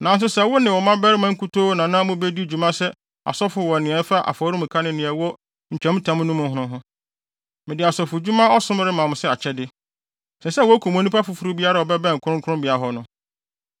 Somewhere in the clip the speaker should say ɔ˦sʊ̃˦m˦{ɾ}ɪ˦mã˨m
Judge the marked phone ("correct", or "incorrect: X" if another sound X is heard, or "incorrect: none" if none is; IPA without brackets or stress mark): correct